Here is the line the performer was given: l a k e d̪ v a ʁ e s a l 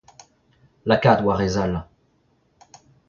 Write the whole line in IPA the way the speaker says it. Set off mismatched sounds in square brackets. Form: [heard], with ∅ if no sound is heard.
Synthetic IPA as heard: l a k [a] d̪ [w] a ʁ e [z] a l